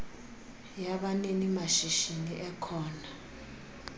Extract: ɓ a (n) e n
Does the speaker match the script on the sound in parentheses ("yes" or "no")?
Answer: yes